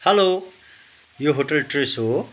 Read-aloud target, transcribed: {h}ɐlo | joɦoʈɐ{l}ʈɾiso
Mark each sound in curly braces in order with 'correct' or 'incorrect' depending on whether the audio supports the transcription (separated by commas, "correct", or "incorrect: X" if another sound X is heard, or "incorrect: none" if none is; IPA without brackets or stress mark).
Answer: correct, correct